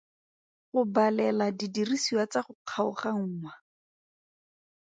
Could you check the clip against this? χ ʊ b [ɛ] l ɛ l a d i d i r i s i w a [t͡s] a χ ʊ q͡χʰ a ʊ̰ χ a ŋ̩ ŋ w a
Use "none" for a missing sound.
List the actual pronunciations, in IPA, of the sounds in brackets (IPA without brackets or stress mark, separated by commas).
a, t͡s